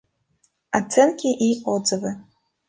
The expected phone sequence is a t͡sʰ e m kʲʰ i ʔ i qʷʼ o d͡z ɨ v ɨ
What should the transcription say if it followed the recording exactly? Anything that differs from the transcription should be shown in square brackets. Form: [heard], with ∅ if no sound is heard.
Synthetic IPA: a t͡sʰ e [n] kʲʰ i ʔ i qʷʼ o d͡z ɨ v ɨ